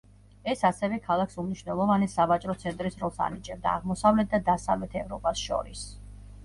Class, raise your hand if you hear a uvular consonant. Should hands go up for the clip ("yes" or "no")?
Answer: yes